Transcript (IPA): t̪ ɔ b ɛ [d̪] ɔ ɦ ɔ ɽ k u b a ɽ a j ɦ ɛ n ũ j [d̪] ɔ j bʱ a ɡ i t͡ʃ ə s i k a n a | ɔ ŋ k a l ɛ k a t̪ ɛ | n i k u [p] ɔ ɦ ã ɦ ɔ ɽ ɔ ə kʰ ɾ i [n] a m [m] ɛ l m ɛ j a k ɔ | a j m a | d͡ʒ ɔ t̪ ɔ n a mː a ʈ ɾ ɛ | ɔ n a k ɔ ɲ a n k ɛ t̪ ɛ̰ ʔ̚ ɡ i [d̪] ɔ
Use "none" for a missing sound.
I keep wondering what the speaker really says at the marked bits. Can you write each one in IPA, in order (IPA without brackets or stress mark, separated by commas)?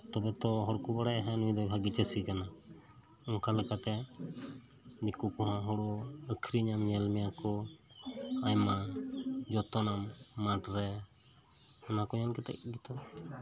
t̪, d̪, k, ɲ, ɲ, t̪